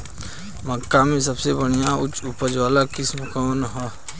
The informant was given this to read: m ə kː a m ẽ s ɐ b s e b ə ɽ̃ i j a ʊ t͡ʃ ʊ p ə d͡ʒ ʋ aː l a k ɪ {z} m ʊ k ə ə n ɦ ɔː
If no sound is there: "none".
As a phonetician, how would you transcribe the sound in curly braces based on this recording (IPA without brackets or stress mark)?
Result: s